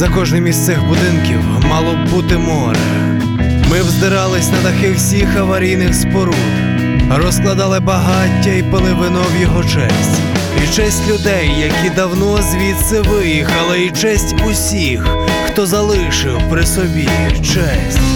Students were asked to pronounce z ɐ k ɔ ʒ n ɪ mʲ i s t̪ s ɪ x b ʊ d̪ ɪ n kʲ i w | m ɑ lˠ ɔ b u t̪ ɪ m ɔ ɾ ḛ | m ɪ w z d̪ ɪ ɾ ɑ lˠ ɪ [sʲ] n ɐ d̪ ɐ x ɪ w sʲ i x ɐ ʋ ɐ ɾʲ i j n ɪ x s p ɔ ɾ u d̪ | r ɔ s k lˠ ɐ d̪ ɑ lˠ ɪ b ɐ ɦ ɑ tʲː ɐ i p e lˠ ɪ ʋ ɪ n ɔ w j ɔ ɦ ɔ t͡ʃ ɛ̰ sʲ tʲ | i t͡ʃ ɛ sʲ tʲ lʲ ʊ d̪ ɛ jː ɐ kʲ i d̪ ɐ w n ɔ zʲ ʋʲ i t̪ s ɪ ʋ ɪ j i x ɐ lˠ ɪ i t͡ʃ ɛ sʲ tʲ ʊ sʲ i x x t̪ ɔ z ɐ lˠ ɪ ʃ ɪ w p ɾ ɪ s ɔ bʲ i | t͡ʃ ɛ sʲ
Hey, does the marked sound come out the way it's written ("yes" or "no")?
yes